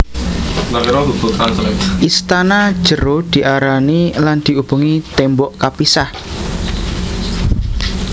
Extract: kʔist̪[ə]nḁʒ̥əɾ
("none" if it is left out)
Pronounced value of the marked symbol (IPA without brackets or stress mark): a